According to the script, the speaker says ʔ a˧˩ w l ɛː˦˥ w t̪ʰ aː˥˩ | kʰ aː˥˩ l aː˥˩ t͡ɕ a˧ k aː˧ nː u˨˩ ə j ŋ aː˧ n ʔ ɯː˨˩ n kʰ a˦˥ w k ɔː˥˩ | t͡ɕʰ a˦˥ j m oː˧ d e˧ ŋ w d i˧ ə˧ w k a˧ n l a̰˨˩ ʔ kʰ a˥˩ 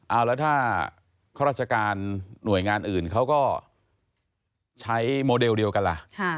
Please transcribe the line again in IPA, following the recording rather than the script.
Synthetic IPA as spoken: ʔ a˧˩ w l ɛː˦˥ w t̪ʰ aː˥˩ | kʰ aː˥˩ ɾ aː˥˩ t͡ɕ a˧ k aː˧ nː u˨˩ ə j ŋ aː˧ n ʔ ɯː˨˩ n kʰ a˦˥ w k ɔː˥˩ | t͡ɕʰ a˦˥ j m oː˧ d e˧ w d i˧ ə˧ w k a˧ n l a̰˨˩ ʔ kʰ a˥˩